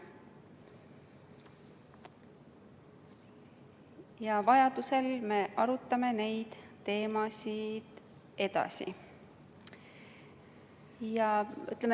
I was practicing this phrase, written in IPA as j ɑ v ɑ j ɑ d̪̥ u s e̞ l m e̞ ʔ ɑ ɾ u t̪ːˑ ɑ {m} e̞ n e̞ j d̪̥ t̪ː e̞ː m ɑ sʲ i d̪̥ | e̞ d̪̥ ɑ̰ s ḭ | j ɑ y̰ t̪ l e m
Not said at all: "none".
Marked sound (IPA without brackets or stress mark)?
m